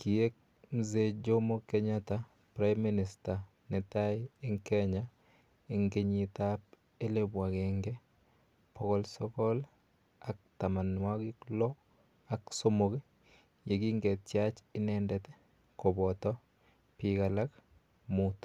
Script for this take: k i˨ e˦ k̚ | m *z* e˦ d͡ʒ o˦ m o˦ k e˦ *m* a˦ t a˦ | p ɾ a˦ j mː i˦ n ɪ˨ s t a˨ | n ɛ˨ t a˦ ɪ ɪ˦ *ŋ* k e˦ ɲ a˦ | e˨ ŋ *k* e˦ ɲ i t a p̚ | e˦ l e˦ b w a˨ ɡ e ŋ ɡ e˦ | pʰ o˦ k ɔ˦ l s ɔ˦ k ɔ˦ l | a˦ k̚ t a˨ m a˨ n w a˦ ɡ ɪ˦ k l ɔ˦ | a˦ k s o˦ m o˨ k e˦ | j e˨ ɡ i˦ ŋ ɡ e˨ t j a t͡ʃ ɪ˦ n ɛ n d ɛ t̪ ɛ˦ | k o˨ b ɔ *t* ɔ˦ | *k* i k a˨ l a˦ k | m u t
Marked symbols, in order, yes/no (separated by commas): yes, no, yes, no, yes, no